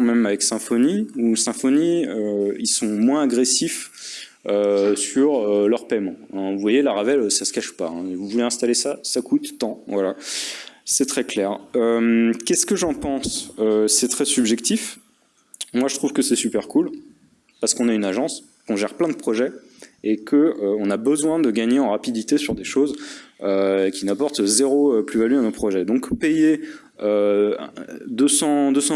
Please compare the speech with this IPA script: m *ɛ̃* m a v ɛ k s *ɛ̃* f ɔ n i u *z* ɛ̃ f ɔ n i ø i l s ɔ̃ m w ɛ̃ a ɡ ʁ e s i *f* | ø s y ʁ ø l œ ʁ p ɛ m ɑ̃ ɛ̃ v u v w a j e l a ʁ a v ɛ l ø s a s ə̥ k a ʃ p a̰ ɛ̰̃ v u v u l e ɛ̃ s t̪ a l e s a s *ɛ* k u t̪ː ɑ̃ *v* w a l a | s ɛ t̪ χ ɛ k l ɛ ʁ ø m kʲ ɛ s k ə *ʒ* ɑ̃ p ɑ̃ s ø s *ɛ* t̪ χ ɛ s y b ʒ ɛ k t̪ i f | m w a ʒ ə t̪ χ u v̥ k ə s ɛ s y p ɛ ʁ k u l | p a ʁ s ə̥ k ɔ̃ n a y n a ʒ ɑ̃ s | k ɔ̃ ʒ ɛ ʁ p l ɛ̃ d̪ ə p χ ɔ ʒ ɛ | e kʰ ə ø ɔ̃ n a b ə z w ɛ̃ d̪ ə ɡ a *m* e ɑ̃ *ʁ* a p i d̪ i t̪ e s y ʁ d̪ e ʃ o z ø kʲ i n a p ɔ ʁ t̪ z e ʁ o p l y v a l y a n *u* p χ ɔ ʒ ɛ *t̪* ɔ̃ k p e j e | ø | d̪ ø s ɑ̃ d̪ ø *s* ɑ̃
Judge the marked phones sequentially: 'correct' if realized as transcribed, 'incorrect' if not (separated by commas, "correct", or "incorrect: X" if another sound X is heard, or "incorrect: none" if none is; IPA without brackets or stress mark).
incorrect: ɛ, correct, incorrect: s, correct, incorrect: a, correct, correct, correct, incorrect: ɲ, correct, incorrect: o, incorrect: d̪, correct